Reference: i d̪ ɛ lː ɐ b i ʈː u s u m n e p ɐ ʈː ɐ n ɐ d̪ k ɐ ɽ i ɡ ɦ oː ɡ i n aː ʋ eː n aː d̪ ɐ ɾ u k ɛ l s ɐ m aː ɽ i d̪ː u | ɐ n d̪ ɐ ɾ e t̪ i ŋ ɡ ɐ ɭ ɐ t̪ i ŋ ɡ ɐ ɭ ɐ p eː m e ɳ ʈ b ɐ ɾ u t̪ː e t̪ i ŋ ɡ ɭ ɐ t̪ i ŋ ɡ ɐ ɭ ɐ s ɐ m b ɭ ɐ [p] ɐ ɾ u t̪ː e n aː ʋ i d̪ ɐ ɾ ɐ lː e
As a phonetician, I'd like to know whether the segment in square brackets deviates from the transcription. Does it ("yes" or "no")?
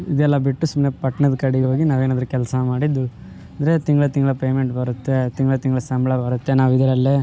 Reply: yes